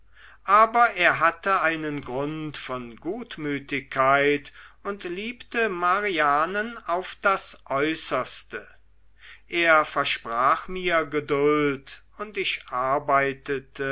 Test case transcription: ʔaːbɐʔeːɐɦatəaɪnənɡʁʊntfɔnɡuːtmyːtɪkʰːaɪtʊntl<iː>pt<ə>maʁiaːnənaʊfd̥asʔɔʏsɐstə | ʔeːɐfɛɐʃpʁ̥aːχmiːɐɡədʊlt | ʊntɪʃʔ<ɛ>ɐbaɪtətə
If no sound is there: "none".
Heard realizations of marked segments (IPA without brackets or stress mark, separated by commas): iː, ə, a